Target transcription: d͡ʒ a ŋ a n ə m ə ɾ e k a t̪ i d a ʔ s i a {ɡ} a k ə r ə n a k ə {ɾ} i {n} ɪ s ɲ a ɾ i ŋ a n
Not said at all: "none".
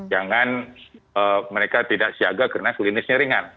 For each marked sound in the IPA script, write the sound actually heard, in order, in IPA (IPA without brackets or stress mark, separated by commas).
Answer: ɡ, l, n